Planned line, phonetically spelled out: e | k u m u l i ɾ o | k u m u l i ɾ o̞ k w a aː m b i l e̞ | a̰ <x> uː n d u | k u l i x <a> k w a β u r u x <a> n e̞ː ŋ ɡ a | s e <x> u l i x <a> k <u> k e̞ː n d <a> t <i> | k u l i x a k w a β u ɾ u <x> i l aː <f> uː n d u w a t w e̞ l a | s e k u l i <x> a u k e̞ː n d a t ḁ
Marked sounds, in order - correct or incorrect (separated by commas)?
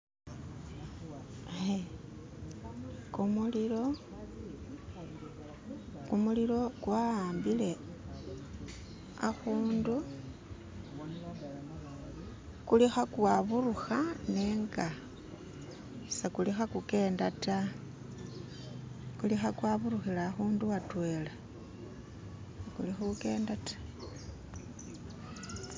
correct, correct, correct, incorrect, correct, correct, correct, incorrect, correct, incorrect, correct